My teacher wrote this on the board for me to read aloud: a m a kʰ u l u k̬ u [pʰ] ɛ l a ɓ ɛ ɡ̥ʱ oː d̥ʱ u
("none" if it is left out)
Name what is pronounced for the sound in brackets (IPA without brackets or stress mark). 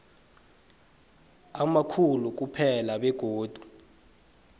pʰ